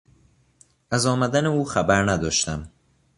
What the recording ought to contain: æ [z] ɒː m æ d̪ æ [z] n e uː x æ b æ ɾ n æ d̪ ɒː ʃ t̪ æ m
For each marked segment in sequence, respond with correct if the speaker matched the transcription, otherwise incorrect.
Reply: correct, incorrect

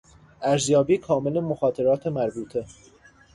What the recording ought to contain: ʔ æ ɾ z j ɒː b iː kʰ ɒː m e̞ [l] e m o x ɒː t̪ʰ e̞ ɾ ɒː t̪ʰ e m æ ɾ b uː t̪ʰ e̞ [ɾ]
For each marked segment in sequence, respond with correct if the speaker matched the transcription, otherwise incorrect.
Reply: correct, incorrect

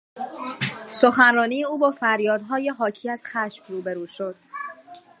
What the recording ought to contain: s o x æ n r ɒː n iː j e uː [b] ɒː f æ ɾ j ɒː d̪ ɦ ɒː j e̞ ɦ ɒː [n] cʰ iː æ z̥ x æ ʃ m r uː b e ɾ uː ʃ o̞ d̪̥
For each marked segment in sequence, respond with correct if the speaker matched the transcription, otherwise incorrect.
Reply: correct, incorrect

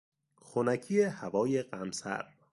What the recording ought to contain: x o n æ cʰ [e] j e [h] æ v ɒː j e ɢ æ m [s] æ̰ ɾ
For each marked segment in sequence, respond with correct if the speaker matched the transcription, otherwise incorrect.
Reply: incorrect, correct, correct

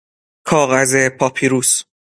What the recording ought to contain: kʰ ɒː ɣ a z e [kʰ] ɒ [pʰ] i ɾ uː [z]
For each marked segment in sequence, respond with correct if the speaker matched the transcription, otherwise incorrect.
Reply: incorrect, correct, incorrect

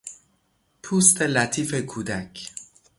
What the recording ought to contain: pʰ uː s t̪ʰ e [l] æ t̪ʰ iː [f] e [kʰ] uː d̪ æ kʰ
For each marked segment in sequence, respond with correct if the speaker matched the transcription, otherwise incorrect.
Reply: correct, correct, correct

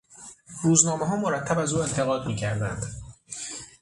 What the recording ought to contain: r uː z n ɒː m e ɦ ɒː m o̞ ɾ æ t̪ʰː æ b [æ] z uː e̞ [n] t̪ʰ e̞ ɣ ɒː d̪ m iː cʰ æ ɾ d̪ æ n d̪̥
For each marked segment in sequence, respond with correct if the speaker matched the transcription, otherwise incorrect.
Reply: correct, correct

